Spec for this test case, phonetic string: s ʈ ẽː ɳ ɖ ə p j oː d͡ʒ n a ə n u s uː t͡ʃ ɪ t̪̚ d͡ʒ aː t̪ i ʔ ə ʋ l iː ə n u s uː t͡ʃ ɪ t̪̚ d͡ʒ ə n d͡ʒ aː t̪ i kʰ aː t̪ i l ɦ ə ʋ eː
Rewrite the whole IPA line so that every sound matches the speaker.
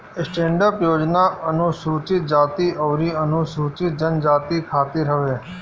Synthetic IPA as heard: s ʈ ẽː ɳ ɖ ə p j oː d͡ʒ n a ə n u s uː t͡ʃ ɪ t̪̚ d͡ʒ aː t̪ i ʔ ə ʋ ɾ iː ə n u s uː t͡ʃ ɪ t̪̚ d͡ʒ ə n d͡ʒ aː t̪ i kʰ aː t̪ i ɾ ɦ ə ʋ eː